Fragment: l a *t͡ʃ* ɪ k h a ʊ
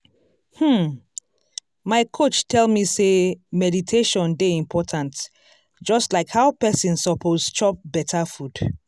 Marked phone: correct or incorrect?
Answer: incorrect